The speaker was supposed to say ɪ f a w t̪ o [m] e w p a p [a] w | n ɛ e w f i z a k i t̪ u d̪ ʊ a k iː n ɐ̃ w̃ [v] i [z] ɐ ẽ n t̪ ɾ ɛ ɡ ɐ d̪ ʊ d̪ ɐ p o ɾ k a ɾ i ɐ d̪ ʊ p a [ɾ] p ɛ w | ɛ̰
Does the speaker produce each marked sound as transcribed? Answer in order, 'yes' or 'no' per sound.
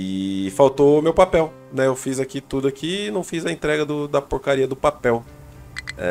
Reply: yes, no, no, yes, no

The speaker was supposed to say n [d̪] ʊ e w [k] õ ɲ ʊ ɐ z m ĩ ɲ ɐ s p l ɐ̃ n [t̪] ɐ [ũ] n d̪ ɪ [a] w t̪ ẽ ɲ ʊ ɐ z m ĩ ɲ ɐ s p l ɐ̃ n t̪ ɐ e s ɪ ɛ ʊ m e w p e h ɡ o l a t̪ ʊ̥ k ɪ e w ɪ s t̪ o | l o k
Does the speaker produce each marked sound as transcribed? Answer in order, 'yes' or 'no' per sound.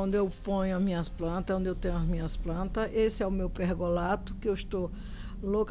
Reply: yes, no, yes, no, no

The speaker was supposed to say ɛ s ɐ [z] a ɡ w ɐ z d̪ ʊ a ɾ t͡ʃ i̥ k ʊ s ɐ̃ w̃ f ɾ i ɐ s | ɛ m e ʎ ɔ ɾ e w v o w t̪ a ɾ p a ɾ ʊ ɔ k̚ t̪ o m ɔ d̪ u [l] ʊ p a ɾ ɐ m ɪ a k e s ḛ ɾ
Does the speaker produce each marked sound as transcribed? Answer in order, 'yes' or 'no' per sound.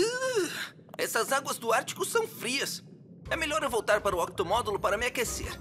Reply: yes, yes

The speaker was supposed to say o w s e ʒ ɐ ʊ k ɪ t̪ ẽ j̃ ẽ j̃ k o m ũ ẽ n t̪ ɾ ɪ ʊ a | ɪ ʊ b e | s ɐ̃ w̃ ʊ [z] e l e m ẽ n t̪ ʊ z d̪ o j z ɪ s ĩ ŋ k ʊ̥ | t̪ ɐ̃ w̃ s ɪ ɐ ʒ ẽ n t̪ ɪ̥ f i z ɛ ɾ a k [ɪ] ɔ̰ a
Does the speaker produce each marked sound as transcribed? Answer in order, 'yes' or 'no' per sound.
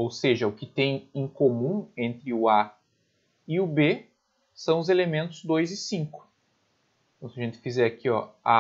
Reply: yes, no

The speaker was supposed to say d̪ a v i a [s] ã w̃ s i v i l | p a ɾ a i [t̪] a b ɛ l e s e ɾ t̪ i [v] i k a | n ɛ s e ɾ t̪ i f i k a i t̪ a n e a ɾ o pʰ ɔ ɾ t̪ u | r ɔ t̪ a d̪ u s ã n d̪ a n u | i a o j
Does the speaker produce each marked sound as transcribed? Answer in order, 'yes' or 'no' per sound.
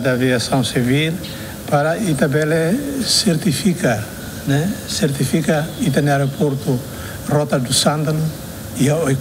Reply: yes, yes, no

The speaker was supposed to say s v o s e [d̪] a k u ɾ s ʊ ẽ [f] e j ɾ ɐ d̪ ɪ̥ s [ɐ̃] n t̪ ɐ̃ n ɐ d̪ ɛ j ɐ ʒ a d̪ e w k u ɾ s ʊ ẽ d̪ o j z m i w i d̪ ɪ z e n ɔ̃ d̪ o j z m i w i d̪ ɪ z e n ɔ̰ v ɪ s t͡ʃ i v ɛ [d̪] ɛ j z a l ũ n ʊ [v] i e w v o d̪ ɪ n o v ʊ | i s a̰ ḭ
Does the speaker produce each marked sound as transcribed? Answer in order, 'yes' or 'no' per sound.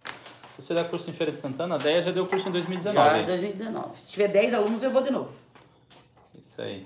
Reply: yes, yes, yes, yes, no

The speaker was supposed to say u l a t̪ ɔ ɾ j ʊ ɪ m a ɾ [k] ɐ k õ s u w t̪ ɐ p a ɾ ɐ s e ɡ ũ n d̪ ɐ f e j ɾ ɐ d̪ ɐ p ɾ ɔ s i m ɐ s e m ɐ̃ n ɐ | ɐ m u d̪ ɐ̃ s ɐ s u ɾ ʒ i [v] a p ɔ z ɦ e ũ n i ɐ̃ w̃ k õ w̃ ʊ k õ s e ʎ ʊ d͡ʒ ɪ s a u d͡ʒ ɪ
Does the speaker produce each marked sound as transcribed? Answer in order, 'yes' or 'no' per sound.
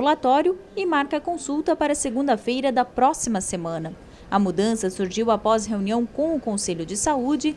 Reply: yes, no

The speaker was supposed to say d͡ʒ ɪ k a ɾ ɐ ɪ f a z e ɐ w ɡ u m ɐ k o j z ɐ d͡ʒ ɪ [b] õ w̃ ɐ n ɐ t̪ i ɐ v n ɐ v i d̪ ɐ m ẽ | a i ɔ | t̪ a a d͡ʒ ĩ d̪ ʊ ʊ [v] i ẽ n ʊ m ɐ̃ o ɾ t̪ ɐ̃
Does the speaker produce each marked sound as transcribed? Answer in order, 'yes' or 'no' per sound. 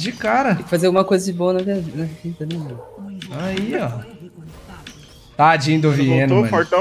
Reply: yes, yes

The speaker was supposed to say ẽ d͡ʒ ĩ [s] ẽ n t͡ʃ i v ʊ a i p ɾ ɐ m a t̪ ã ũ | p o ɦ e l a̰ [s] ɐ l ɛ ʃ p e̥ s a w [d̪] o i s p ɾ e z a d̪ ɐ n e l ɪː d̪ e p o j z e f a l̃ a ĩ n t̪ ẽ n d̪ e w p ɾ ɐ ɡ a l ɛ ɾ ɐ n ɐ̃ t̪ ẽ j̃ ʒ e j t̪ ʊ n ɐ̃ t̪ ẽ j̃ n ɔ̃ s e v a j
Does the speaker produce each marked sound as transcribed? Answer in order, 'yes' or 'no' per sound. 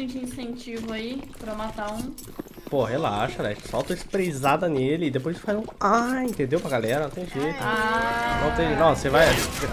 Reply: yes, no, no

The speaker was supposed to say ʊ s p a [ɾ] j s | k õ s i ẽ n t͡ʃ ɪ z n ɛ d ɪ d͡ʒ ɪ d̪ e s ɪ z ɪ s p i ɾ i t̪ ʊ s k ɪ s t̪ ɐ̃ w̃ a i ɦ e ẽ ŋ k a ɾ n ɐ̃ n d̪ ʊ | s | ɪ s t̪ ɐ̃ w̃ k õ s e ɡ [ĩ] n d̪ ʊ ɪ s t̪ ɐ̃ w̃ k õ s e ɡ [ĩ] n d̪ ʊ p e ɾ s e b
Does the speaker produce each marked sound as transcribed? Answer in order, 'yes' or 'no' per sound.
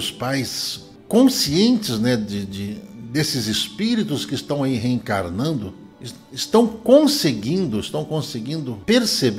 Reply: no, yes, yes

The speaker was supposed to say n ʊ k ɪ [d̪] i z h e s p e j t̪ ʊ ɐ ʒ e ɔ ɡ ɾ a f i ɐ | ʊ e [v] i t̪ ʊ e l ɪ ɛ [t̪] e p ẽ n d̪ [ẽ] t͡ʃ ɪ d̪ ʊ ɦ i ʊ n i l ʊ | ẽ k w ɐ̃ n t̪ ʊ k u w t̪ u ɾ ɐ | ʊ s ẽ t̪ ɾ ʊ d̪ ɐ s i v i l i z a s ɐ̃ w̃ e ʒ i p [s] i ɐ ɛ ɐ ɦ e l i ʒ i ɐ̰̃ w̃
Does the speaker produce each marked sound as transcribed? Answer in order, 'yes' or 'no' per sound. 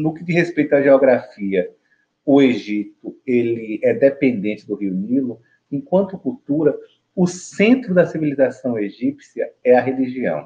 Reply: yes, no, no, yes, yes

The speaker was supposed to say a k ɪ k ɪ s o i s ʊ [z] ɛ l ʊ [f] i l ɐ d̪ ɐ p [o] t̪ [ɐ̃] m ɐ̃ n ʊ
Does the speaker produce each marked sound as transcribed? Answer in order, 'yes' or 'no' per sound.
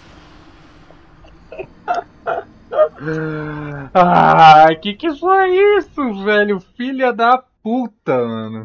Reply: no, yes, no, no

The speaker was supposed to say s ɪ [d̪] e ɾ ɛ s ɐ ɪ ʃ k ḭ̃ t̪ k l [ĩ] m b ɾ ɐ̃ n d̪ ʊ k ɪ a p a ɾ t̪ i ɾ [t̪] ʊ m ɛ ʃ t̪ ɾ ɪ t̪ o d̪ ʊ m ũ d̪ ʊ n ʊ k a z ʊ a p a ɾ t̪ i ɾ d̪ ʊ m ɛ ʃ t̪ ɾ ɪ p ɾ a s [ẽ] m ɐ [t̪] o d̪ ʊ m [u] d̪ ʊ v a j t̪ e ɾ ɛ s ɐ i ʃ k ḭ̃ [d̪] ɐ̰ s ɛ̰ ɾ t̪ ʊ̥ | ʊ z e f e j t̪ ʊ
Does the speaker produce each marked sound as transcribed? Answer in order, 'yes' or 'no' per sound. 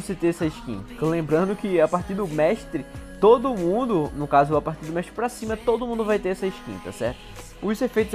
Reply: no, no, no, no, yes, no, no

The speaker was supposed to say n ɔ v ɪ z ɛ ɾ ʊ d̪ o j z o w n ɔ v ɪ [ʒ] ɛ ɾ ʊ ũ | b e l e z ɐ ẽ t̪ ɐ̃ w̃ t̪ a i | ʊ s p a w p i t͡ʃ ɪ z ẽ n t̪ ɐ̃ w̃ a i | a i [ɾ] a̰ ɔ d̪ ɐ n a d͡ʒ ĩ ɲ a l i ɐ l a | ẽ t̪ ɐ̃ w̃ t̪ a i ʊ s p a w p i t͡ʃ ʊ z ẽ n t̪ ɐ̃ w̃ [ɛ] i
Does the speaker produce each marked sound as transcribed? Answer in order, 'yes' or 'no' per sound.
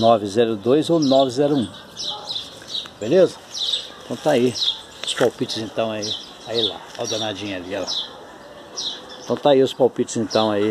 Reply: no, no, no

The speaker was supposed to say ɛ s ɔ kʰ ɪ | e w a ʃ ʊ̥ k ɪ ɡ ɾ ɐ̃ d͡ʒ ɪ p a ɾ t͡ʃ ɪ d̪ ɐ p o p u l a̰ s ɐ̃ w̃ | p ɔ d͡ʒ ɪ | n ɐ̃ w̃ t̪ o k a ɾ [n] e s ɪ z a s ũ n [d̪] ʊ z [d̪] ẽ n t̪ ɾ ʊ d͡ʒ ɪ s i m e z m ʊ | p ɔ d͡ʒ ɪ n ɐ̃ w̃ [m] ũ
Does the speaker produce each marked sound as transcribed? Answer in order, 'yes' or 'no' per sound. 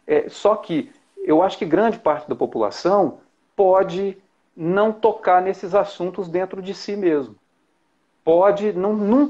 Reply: yes, no, yes, no

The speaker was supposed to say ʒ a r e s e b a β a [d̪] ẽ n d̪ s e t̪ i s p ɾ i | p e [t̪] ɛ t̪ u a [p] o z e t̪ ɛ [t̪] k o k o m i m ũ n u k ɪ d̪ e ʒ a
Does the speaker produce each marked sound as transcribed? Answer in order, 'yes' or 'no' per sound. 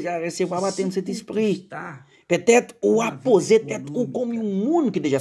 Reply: no, yes, yes, yes

